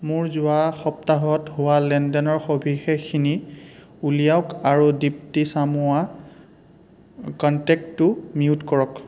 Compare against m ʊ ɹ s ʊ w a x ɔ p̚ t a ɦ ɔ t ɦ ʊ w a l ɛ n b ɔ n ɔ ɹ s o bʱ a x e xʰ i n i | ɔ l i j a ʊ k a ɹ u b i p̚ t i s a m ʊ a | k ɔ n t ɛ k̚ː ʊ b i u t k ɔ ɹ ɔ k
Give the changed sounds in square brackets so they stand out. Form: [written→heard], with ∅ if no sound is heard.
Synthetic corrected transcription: m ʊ ɹ [s→z] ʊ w a x ɔ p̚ t a ɦ ɔ t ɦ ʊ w a l ɛ n [b→d] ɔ n ɔ ɹ [s→x] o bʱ [a→i] x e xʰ i n i | [ɔ→u] l i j a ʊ k a ɹ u [b→d] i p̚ t i s a m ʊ a | k ɔ n t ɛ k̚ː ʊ [b→m] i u t k ɔ ɹ ɔ k